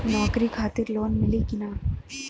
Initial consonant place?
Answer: alveolar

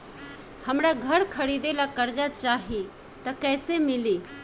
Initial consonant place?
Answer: glottal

